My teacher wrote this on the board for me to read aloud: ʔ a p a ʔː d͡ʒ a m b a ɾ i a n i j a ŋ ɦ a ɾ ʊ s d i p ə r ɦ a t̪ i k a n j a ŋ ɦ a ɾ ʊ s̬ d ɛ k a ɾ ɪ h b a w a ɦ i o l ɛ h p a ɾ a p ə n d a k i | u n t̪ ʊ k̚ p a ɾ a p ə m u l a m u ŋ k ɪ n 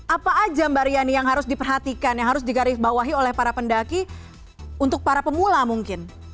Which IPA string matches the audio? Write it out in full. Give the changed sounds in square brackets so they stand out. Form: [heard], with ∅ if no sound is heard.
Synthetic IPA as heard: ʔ a p a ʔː d͡ʒ a m b a ɾ i a n i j a ŋ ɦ a ɾ ʊ s d i p ə r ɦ a t̪ i k a n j a ŋ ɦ a ɾ ʊ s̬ d [i] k a ɾ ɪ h b a w a ɦ i o l ɛ h p a ɾ a p ə n d a k i | u n t̪ ʊ k̚ p a ɾ a p ə m u l a m u ŋ k ɪ n